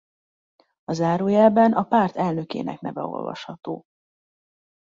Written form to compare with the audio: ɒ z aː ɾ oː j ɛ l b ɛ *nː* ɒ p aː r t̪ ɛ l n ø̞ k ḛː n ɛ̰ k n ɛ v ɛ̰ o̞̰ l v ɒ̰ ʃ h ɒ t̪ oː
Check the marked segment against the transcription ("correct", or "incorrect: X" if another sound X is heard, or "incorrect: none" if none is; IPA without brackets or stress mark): incorrect: n